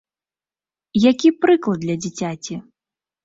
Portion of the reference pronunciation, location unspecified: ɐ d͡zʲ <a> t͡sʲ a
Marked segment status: incorrect: i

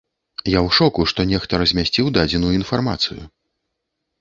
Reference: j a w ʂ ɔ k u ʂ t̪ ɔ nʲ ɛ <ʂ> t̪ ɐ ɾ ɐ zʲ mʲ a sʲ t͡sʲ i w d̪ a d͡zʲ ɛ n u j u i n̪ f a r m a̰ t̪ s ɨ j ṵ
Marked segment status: incorrect: x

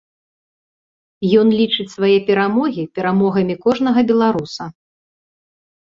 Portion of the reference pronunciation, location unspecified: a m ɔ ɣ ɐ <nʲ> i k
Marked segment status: incorrect: mʲ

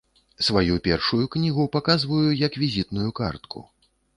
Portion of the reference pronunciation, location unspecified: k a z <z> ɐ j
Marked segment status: incorrect: v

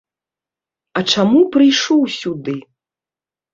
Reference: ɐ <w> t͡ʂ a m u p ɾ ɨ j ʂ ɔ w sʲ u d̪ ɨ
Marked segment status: incorrect: none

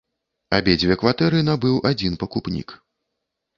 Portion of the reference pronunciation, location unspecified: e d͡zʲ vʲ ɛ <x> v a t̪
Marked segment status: incorrect: k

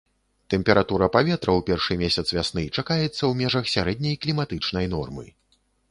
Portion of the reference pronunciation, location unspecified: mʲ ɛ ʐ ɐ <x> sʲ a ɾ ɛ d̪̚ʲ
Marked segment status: correct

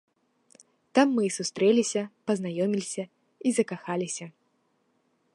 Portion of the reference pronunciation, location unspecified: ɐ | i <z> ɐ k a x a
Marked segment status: correct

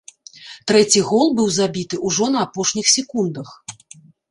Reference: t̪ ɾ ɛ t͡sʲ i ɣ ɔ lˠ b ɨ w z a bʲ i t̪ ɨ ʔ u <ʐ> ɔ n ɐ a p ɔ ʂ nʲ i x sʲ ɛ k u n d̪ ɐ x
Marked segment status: correct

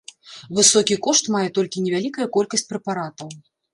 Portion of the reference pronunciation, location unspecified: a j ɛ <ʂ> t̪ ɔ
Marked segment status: incorrect: none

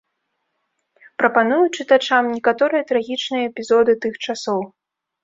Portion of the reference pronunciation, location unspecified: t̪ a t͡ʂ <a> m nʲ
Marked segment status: correct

